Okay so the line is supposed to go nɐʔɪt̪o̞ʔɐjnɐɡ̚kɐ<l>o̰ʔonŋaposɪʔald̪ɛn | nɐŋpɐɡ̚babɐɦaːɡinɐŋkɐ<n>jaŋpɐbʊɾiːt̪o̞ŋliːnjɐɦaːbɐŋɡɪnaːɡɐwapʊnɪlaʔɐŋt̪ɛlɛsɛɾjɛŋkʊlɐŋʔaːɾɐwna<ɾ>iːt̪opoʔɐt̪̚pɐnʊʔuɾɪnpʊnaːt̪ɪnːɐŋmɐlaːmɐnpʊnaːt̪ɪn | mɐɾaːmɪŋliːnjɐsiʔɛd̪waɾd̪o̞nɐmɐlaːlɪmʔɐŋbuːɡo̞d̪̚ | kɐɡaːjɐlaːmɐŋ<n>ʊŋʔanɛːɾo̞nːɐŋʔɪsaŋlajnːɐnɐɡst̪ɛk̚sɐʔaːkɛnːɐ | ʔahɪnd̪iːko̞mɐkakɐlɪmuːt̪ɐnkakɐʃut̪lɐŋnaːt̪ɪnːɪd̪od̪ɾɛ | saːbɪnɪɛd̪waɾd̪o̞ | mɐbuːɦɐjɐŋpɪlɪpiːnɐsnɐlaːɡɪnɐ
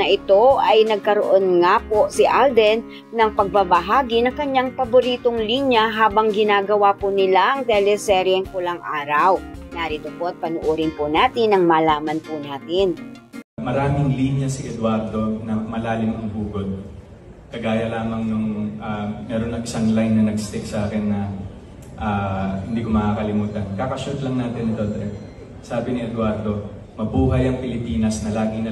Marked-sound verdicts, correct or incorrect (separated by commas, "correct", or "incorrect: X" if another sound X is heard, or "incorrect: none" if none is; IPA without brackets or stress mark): incorrect: ɾ, incorrect: ɲ, correct, correct